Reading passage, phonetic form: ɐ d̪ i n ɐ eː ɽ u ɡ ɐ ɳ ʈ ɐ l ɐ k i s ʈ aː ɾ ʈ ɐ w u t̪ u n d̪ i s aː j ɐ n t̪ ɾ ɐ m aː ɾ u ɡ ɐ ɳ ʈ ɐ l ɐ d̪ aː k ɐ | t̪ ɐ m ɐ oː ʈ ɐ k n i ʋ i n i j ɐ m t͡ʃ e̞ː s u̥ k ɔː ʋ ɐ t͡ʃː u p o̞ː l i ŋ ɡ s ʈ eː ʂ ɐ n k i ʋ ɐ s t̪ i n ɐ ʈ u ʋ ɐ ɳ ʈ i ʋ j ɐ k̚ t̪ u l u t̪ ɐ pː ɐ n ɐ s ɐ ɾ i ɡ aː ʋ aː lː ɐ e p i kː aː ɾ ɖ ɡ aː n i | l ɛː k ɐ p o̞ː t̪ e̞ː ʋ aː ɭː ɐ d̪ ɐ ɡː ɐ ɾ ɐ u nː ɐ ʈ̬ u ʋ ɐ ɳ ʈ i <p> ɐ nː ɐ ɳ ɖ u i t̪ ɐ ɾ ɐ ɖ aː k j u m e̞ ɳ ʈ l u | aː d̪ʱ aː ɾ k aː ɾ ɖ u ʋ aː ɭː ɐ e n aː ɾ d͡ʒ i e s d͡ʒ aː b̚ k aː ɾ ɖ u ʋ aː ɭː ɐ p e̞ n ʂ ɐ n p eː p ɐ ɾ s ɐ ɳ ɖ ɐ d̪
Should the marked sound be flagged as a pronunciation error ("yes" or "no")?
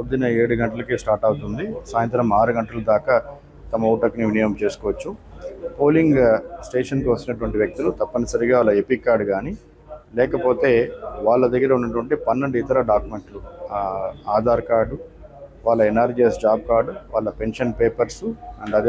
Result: no